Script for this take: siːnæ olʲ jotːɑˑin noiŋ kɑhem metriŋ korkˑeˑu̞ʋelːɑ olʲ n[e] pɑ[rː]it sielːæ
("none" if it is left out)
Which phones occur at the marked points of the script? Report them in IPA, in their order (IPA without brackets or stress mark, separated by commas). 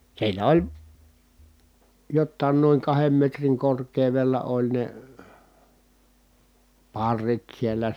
e, rː